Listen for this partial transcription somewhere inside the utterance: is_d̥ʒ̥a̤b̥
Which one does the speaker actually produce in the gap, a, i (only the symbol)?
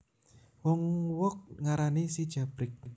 i